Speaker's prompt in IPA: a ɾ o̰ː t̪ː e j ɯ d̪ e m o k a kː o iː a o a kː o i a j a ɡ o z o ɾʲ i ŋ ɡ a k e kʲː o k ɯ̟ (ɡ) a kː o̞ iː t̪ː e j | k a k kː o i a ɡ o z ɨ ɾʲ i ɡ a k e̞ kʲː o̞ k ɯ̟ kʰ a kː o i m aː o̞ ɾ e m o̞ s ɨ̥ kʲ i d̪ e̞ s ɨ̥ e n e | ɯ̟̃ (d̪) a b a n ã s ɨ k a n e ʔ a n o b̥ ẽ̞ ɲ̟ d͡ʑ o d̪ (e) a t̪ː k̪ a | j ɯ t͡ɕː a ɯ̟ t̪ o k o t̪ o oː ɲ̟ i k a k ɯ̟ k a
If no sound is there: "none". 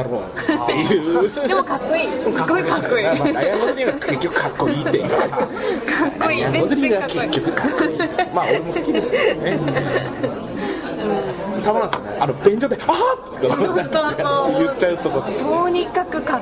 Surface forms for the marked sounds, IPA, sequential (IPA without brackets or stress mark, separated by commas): k, t̪, e